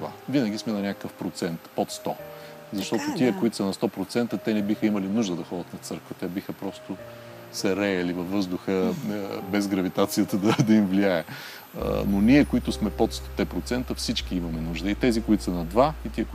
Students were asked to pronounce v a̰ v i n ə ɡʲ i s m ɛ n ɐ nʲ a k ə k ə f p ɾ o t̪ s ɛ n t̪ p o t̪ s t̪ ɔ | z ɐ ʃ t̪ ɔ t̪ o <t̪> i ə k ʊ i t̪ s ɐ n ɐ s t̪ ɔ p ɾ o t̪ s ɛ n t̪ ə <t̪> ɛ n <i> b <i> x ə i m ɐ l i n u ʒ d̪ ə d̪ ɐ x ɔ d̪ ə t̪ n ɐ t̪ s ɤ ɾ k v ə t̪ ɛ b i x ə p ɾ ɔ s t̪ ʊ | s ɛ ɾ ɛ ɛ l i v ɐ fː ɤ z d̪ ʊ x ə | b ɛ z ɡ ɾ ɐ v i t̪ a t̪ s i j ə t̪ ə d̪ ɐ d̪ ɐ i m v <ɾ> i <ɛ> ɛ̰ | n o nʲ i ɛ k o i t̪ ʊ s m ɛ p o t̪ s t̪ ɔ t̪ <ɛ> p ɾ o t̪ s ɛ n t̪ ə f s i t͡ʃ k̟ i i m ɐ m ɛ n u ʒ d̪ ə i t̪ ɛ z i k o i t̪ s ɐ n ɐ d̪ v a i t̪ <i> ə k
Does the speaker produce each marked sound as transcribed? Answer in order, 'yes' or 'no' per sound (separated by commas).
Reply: yes, yes, no, yes, no, no, yes, yes